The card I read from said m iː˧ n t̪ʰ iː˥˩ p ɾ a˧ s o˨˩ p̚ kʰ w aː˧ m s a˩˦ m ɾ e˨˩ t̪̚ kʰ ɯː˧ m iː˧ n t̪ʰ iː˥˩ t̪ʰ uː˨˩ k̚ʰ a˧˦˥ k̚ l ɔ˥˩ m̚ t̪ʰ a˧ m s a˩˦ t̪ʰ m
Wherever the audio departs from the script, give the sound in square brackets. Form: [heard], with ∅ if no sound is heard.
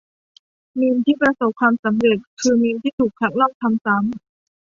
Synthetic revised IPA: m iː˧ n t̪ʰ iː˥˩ p ɾ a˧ s o˨˩ p̚ kʰ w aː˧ m s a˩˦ m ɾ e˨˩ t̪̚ kʰ ɯː˧ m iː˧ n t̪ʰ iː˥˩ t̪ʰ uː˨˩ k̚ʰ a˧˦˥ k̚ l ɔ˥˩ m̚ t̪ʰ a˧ m s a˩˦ [∅] m

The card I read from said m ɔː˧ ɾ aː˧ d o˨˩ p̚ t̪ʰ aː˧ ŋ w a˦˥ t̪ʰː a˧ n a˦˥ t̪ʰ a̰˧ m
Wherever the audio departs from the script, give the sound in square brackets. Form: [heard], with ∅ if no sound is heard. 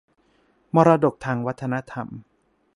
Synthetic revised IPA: m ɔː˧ ɾ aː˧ d o˨˩ [k̚] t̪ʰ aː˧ ŋ w a˦˥ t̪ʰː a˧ n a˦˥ t̪ʰ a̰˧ m

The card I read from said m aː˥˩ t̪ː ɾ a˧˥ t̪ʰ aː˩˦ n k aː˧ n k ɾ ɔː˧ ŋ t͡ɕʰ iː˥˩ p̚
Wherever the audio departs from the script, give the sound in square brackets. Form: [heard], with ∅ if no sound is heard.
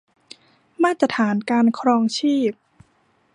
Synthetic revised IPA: m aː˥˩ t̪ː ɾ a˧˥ t̪ʰ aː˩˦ n k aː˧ n [kʰ] ɾ ɔː˧ ŋ t͡ɕʰ iː˥˩ p̚

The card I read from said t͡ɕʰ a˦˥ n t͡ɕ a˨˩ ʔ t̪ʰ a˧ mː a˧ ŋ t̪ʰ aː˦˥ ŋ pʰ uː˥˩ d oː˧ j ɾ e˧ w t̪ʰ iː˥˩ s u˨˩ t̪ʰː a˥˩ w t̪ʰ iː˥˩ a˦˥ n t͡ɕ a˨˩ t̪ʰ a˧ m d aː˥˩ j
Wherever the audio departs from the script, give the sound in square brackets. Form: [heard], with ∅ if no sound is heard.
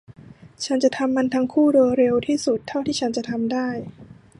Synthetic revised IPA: t͡ɕʰ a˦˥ n t͡ɕ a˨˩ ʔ t̪ʰ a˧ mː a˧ [n] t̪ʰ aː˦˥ ŋ [kʰ] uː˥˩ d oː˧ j ɾ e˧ w t̪ʰ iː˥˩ s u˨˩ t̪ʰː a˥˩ w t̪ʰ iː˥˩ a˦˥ n t͡ɕ a˨˩ t̪ʰ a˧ m d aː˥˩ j

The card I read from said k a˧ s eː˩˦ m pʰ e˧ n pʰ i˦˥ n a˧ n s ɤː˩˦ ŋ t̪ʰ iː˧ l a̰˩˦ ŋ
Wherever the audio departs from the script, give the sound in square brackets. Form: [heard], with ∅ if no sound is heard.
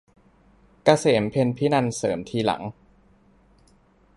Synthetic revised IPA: k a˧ s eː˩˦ m pʰ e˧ n pʰ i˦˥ n a˧ n s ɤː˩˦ [m] t̪ʰ iː˧ l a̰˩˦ ŋ

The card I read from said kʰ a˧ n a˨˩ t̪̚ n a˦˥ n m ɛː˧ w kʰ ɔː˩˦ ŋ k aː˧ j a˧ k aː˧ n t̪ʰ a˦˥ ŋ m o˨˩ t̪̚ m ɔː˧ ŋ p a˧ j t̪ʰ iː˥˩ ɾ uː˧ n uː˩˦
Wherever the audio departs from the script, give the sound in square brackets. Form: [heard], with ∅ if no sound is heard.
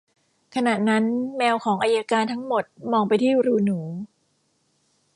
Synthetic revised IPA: kʰ a˧ n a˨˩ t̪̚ n a˦˥ n m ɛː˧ w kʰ ɔː˩˦ ŋ [ʔ] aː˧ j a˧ k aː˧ n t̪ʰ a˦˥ ŋ m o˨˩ t̪̚ m ɔː˧ ŋ p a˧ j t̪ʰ iː˥˩ ɾ uː˧ n uː˩˦

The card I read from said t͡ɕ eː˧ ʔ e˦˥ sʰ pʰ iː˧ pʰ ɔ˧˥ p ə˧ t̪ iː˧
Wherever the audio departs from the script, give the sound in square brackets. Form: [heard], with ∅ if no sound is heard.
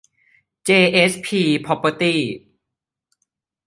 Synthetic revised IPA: t͡ɕ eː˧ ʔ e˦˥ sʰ pʰ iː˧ pʰ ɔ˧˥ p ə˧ t̪ [iː˥˩]

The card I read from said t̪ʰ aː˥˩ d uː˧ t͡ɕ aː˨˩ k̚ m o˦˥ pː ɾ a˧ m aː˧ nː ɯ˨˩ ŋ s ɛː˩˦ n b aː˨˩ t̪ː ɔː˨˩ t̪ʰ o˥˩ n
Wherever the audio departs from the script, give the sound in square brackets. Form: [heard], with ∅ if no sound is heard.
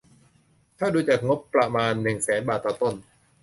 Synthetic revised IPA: t̪ʰ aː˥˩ d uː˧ t͡ɕ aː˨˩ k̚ [ŋ] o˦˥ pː ɾ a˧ m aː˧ nː ɯ˨˩ ŋ s ɛː˩˦ n b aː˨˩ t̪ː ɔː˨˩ [t̪] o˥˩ n

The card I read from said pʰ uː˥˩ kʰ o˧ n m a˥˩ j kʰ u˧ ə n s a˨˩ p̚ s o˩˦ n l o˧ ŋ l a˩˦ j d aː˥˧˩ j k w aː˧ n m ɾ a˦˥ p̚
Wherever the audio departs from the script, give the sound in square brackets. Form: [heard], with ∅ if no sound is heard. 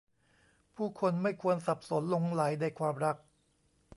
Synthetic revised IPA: pʰ uː˥˩ kʰ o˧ n m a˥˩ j kʰ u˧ ə n s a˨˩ p̚ s o˩˦ n l o˧ ŋ l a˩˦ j d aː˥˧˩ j [kʰ] w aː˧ [∅] m ɾ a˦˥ [k̚]

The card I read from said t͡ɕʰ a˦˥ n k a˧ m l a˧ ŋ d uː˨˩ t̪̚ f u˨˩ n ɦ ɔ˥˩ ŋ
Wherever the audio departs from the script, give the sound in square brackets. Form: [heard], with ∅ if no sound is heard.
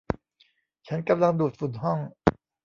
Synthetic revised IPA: t͡ɕʰ a˦˥ n k a˧ m l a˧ ŋ d uː˨˩ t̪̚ f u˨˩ n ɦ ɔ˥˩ ŋ

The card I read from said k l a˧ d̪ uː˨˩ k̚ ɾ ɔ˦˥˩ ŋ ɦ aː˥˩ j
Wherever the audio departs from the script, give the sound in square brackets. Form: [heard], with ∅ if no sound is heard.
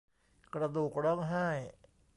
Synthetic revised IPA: k [ɾ] a˧ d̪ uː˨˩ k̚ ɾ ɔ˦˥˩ ŋ ɦ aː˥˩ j

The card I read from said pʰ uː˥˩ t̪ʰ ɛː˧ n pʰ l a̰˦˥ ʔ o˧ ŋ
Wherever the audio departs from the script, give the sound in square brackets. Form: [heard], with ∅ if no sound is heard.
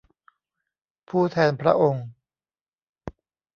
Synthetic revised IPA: pʰ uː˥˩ t̪ʰ ɛː˧ n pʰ [ɾ] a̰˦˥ ʔ o˧ ŋ

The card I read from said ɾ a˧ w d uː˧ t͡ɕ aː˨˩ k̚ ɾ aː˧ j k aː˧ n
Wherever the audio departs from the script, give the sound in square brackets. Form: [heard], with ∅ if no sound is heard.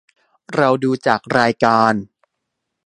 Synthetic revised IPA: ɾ a˧ w d uː˧ t͡ɕ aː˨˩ k̚ ɾ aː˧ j k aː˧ n

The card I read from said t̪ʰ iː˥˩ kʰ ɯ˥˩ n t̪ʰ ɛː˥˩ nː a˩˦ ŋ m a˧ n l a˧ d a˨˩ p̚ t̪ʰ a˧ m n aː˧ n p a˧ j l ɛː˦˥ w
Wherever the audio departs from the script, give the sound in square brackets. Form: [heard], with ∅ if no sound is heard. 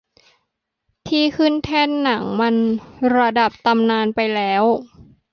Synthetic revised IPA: t̪ʰ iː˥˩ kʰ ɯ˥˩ n t̪ʰ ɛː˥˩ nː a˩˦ ŋ m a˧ n [ɾ] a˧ d a˨˩ p̚ [t̪] a˧ m n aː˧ n p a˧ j l ɛː˦˥ w

